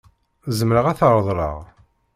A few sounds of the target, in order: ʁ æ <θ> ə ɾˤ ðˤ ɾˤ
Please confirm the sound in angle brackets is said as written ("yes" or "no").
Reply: yes